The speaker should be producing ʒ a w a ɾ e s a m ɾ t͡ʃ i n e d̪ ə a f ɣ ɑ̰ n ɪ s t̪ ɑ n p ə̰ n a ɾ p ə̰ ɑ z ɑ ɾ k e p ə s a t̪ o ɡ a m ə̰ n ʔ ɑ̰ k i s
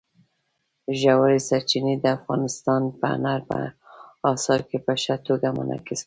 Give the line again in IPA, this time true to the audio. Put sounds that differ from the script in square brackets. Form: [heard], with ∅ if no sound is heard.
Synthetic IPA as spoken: ʒ a w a ɾ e s a [∅] ɾ t͡ʃ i n e d̪ ə a f ɣ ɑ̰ n ɪ s t̪ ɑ n p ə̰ n a ɾ p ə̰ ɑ [s] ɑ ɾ k e p ə [ʃ] a t̪ o ɡ a m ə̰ n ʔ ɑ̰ k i s